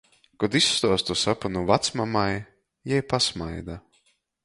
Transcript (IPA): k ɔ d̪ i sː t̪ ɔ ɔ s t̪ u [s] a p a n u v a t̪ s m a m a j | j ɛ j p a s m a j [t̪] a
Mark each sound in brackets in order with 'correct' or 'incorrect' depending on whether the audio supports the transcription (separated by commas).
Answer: correct, incorrect